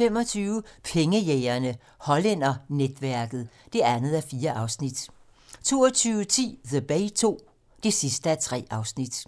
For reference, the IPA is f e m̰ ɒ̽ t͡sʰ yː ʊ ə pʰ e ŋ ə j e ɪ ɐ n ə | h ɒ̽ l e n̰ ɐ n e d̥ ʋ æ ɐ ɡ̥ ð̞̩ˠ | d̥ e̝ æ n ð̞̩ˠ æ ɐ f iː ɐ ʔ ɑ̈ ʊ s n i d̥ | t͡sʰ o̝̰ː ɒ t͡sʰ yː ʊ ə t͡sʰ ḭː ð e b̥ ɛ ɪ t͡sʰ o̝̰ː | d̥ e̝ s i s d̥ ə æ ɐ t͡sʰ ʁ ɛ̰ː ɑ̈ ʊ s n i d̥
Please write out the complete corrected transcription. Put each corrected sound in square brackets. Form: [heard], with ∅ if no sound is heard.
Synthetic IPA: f e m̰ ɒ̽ t͡sʰ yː ʊ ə pʰ e ŋ ə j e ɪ ɐ n ə | h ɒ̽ l e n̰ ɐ n e d̥ ʋ æ ɐ ɡ̥ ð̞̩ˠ | d̥ e̝ æ n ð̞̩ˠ æ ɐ f iː ɐ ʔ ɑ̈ ʊ s n i d̥ | t͡sʰ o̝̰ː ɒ t͡sʰ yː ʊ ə t͡sʰ ḭː ð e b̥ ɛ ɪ t͡sʰ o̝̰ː | d̥ e̝ s i s d̥ ə æ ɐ t͡sʰ ʁ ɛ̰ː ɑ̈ ʊ s n i d̥